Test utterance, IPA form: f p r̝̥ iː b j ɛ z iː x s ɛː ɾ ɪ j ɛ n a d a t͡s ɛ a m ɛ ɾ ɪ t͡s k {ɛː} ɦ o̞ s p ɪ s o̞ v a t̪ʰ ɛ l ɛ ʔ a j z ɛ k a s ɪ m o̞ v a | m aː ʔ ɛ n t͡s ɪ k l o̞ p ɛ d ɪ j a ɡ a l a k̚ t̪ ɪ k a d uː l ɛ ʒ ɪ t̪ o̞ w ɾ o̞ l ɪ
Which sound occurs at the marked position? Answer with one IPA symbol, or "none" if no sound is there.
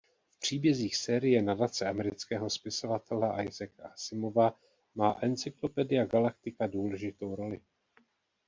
ɛː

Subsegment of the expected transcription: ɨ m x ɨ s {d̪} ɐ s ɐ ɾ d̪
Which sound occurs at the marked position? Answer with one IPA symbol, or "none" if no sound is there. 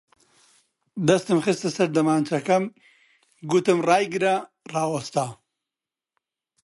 t̪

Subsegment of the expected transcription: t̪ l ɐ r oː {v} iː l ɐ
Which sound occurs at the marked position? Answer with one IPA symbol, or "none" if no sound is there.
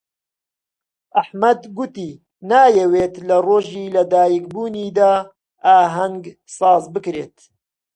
ʒ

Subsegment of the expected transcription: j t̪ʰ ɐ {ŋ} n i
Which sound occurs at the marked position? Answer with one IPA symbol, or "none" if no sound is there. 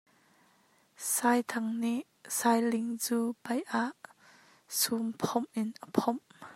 ŋ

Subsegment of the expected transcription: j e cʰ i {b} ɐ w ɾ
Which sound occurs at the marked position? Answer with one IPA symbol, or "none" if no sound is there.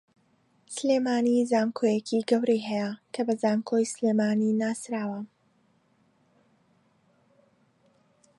ɡ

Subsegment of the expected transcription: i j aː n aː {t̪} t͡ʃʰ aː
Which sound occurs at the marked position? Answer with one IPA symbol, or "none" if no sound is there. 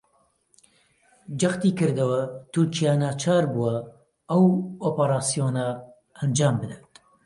none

